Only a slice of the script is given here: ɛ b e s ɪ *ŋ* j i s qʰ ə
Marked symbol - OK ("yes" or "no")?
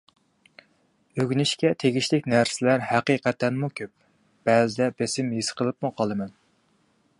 no